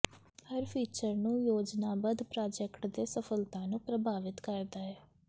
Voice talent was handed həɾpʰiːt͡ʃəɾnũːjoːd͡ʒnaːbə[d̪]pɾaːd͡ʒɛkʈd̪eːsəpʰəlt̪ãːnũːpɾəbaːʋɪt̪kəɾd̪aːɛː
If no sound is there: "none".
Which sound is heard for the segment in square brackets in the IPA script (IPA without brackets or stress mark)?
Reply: d̪